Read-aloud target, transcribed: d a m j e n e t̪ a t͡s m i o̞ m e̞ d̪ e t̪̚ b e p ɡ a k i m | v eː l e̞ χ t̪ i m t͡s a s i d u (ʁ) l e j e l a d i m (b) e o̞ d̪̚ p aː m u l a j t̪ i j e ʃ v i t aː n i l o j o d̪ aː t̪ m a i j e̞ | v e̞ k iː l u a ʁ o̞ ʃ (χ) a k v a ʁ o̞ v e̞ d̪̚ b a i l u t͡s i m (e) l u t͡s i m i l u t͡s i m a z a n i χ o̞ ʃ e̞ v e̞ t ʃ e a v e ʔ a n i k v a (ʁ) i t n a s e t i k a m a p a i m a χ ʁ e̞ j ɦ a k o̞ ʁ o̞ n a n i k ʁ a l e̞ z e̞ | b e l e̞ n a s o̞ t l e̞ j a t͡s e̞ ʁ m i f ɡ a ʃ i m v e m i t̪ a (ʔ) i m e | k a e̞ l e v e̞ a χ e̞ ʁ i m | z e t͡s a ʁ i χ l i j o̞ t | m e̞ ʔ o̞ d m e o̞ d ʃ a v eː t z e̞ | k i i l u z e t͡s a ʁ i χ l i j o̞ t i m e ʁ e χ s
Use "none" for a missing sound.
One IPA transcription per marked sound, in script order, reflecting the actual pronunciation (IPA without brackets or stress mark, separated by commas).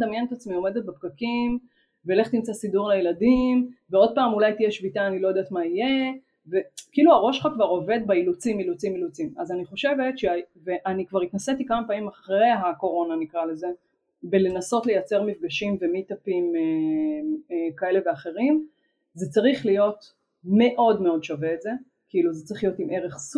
ʁ, v, χ, i, ʁ, p